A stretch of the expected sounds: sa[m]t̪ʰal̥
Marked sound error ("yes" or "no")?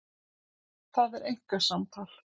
no